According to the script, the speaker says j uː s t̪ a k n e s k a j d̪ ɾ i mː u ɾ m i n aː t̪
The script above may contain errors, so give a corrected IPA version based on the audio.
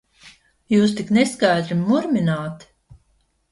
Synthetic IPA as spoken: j uː s t̪ i k n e s k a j d̪ ɾ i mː u ɾ m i n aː t̪